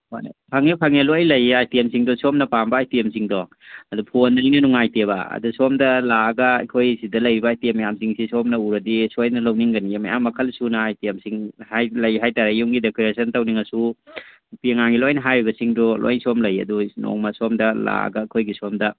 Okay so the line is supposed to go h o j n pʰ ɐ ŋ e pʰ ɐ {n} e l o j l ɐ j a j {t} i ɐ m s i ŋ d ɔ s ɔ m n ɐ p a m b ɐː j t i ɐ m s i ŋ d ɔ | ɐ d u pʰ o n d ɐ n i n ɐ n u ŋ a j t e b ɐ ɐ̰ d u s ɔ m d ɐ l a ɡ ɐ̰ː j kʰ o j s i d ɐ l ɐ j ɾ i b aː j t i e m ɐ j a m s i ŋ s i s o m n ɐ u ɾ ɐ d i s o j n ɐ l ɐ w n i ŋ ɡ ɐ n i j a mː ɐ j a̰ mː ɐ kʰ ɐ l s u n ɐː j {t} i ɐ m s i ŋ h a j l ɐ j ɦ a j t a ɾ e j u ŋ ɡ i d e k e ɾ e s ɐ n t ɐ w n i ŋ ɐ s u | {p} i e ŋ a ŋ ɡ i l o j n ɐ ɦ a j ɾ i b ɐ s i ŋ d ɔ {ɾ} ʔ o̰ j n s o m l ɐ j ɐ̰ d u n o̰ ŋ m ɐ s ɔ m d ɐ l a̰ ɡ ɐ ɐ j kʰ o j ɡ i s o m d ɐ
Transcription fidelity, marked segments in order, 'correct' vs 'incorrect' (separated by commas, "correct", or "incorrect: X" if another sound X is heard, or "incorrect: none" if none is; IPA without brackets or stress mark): incorrect: ŋ, correct, correct, correct, incorrect: l